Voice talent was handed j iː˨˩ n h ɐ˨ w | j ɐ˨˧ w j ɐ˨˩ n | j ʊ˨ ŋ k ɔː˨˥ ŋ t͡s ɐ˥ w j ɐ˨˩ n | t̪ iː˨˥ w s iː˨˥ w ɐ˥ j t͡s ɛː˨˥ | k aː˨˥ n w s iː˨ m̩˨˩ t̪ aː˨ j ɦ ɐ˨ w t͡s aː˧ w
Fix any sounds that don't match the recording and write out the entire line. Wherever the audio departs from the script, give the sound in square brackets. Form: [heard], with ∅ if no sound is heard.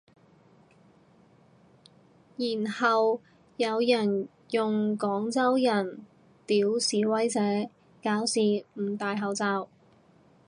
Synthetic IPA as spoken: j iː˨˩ n h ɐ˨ w | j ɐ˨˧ w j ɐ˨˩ n | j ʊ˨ ŋ k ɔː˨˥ ŋ t͡s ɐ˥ w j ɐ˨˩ n | t̪ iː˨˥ w s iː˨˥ w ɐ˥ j t͡s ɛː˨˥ | k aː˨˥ [∅] w s iː˨ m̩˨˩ t̪ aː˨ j ɦ ɐ˨ w t͡s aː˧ w